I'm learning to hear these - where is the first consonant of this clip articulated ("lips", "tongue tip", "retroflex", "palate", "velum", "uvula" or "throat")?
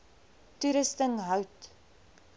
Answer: tongue tip